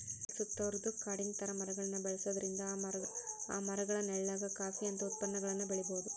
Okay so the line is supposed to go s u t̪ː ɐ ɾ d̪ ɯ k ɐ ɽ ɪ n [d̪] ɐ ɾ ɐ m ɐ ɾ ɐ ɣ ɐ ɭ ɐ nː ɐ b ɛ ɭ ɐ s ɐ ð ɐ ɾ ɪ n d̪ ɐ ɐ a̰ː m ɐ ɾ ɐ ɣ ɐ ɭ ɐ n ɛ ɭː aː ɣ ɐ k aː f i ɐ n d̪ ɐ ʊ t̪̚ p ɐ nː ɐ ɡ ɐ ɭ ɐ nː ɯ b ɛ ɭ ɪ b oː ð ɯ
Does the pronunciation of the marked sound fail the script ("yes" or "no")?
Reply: yes